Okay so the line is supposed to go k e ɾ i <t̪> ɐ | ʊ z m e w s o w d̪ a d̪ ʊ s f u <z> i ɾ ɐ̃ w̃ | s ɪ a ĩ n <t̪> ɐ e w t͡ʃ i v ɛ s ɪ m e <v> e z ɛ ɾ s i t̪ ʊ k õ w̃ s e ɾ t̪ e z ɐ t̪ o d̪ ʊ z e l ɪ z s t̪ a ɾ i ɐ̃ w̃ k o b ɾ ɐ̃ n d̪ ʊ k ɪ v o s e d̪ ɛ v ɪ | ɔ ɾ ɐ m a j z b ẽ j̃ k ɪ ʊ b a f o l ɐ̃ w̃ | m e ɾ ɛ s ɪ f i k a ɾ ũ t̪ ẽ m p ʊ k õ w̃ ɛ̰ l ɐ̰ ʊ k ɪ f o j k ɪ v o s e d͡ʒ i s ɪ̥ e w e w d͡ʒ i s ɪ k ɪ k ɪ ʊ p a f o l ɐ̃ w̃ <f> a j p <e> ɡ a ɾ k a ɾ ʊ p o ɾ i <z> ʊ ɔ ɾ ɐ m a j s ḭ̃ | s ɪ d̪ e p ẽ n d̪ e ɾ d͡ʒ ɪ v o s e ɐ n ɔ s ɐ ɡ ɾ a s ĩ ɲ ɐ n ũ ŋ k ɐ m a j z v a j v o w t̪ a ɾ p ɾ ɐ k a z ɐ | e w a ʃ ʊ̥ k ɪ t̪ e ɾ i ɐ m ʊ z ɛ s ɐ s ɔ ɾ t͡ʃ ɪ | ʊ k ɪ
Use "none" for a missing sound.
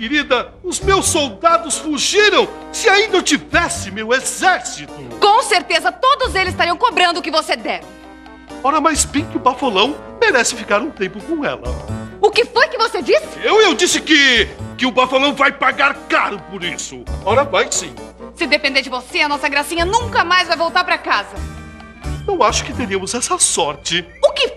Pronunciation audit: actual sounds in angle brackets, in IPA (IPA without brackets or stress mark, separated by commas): d̪, ʒ, d̪, w, v, a, s